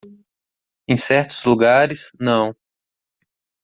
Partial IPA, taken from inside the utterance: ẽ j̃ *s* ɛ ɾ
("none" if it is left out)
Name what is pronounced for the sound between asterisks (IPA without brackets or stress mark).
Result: s